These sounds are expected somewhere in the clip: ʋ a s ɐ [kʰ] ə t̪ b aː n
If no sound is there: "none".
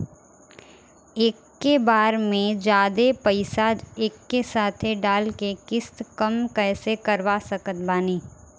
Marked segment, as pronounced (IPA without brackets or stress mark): k